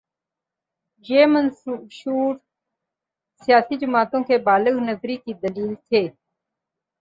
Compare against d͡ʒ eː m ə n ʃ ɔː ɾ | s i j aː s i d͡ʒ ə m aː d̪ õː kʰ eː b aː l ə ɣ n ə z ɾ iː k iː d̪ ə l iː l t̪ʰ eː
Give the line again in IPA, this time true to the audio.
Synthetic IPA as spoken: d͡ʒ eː m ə n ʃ uː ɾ | s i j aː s i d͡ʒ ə m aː t̪ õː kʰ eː b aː l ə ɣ n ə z ɾ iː k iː d̪ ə l iː l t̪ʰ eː